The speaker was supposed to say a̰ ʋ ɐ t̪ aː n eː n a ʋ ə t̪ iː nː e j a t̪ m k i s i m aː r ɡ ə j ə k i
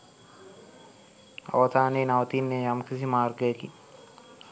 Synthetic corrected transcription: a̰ ʋ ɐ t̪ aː n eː n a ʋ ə t̪ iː nː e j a m k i s i m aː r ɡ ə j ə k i